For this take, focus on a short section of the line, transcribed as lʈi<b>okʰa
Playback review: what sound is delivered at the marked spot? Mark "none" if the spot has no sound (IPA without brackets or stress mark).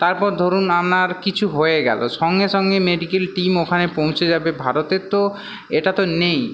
m